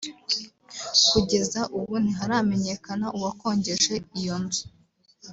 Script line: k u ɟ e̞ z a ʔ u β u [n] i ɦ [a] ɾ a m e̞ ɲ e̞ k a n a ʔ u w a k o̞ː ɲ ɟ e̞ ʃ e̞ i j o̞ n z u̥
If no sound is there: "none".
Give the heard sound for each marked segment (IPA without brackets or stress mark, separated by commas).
n, a